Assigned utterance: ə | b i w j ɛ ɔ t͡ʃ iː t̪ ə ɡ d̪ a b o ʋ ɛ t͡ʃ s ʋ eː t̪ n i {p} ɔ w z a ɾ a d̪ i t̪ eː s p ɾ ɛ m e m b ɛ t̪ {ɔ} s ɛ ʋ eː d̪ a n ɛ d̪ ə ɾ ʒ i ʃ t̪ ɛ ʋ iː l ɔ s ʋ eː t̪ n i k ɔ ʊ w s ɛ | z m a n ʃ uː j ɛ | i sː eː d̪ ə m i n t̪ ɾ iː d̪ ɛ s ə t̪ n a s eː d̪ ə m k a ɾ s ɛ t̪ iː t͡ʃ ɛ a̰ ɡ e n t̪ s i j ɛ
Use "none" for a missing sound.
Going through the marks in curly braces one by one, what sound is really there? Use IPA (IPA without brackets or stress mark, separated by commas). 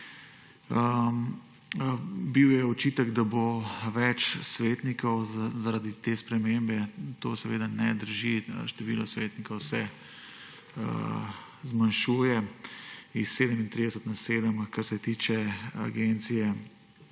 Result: k, o